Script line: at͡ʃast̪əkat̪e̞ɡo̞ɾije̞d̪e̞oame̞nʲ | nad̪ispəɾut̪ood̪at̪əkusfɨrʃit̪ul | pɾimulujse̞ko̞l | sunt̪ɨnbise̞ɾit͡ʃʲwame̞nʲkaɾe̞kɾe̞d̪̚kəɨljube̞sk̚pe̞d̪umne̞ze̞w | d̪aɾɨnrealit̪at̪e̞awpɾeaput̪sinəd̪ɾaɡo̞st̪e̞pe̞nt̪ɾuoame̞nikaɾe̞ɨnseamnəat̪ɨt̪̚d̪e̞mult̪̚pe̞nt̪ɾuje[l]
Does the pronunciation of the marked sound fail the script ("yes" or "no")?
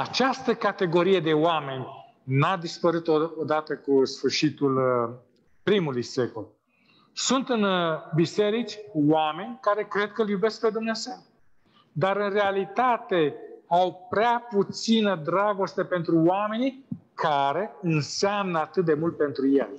no